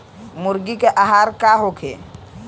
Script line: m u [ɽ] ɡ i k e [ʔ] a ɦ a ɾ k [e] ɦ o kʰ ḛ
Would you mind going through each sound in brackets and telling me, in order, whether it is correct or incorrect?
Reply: incorrect: ɾ, correct, incorrect: a

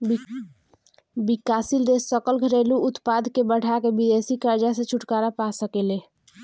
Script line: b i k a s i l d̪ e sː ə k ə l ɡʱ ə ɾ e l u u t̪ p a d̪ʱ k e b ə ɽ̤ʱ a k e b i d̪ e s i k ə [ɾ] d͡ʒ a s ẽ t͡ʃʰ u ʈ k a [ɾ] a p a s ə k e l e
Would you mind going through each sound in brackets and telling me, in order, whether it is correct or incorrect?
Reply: correct, correct

